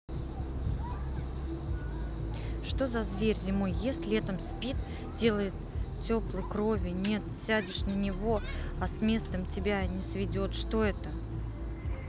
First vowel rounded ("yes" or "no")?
yes